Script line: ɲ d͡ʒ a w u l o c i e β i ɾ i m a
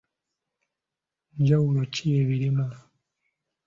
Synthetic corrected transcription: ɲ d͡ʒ a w u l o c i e β i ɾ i m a